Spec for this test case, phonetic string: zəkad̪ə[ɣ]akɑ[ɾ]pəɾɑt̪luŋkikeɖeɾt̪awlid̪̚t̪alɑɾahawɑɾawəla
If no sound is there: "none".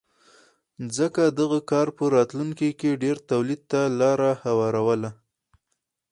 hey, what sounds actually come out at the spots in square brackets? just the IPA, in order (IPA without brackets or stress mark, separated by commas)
ɣ, ɾ